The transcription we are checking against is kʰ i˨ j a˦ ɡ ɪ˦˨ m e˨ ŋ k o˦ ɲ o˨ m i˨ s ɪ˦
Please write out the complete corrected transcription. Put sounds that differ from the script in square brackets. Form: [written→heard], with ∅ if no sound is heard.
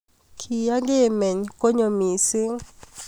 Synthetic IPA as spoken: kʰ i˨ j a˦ ɡ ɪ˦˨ m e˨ [ŋ→ɲ] k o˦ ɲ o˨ m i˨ s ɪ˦